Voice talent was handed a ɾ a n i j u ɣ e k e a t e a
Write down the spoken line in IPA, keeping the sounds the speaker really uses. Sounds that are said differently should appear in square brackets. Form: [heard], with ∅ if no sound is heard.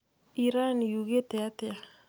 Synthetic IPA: [i] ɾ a n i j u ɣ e [t] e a t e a